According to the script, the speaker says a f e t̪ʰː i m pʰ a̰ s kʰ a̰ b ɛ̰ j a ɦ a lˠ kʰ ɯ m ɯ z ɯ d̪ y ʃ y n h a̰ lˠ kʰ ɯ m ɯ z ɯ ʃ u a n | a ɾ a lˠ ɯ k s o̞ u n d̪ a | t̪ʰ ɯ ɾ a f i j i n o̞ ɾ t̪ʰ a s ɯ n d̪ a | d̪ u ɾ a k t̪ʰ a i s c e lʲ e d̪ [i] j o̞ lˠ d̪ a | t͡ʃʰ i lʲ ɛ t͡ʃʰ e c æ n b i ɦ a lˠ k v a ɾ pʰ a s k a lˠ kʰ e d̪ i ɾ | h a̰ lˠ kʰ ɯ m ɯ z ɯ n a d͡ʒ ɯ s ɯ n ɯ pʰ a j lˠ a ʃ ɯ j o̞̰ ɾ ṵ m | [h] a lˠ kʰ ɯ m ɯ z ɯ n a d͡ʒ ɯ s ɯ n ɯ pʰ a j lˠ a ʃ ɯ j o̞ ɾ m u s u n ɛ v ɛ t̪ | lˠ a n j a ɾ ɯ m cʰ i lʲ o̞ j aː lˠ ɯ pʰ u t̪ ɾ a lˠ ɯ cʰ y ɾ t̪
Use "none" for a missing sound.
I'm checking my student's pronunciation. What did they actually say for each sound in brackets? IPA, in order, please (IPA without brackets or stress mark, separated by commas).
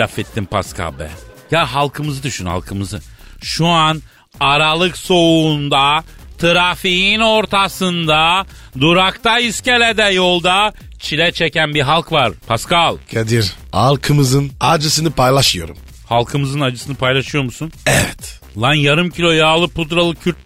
ɛ, h